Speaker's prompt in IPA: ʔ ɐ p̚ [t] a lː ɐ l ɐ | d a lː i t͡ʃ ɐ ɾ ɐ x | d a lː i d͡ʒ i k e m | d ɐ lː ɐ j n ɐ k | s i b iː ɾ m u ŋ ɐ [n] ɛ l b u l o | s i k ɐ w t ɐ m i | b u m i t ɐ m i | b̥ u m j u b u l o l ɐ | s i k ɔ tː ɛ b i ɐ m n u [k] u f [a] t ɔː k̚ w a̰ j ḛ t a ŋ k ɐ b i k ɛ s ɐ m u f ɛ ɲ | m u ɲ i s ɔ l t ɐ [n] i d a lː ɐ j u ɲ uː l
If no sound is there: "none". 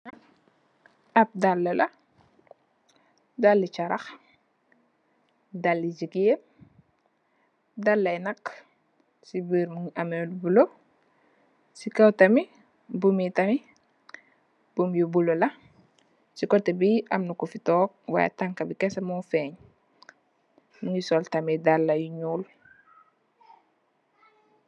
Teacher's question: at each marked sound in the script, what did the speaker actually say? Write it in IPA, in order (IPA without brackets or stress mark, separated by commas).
d, m, k, i, m